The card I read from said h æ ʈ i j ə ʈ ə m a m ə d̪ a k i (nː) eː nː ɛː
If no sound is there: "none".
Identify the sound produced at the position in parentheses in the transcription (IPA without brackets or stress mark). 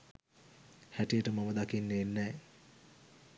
nː